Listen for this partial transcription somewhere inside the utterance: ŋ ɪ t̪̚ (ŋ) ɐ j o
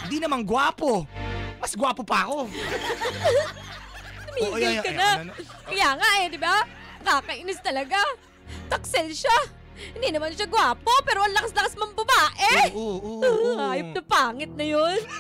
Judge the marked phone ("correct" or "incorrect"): incorrect